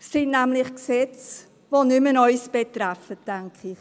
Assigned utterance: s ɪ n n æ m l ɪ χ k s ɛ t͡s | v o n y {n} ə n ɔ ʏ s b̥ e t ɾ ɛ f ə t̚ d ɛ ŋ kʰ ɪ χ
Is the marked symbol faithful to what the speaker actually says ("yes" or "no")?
no